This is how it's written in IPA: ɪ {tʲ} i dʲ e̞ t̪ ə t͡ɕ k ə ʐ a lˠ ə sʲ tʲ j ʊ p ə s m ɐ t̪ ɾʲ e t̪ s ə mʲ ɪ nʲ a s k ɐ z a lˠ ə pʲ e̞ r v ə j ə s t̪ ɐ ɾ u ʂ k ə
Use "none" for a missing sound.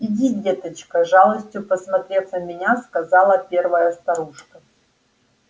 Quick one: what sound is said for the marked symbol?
dʲ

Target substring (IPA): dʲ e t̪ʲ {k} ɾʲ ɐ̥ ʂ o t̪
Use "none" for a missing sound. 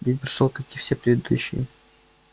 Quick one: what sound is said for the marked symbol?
p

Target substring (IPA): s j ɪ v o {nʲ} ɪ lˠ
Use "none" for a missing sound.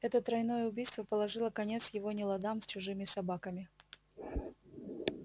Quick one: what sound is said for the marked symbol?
nʲ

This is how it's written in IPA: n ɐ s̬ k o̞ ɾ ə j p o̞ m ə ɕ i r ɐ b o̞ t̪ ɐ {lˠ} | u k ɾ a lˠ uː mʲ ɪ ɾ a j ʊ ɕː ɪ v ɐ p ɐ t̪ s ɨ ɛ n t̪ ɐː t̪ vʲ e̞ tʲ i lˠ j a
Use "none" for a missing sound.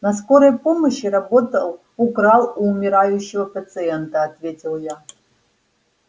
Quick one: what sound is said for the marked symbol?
lˠ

